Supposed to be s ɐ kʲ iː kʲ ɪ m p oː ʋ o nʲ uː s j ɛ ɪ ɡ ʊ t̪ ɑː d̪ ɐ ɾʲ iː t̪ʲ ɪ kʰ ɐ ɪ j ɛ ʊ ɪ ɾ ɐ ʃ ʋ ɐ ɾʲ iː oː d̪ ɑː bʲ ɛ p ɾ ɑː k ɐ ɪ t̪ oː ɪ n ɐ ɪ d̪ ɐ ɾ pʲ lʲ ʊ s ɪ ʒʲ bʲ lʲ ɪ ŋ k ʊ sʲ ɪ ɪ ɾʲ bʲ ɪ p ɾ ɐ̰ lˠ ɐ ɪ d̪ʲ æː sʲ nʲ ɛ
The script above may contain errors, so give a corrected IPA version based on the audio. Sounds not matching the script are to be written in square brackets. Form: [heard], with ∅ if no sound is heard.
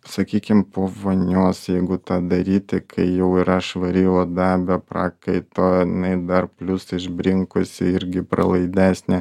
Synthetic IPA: s ɐ kʲ iː kʲ ɪ m p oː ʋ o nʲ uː s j ɛ ɪ ɡ ʊ t̪ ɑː d̪ ɐ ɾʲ iː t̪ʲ ɪ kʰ ɐ ɪ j ɛ ʊ ɪ ɾ ɐ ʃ ʋ ɐ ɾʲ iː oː d̪ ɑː bʲ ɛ p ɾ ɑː k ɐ ɪ t̪ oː ɪ n ɐ ɪ d̪ ɐ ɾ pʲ lʲ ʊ s ɪ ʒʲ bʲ [ɾʲ] ɪ ŋ k ʊ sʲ ɪ ɪ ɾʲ [ɡʲ] ɪ p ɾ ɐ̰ lˠ ɐ ɪ d̪ʲ æː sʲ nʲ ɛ